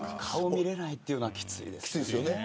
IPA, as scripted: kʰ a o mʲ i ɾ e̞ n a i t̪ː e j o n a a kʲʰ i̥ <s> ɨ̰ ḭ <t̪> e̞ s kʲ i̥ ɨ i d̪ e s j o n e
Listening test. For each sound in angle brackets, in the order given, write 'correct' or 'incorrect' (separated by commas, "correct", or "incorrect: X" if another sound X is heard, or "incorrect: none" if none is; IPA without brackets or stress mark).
incorrect: t͡s, incorrect: d̪